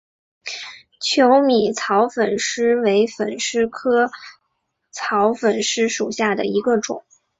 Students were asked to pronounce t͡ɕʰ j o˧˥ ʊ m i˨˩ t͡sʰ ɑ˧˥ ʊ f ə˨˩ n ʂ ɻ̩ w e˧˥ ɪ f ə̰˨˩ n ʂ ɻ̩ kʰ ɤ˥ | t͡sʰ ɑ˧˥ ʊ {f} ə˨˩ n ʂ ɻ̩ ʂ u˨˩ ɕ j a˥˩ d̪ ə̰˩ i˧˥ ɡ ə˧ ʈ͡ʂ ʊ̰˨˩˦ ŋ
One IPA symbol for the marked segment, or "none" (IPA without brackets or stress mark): f